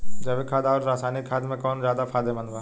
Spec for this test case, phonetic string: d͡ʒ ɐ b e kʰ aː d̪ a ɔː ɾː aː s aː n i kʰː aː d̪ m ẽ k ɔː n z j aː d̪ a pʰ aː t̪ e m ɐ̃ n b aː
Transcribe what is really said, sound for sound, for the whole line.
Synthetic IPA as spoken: d͡ʒ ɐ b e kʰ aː d̪ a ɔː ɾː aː s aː n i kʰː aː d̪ m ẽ k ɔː n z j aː d̪ a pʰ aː d̪ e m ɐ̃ n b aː